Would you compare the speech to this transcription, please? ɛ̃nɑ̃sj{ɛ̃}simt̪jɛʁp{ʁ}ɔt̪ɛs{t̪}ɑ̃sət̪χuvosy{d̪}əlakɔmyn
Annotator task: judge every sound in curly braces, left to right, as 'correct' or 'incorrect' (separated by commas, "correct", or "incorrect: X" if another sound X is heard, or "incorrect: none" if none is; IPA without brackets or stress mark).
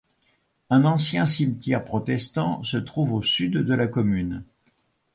correct, incorrect: χ, correct, incorrect: d̪ː